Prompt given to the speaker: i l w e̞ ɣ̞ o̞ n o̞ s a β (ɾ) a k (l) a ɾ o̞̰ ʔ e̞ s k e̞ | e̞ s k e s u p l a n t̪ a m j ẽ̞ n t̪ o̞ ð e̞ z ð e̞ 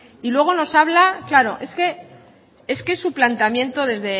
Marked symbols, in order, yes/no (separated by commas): no, yes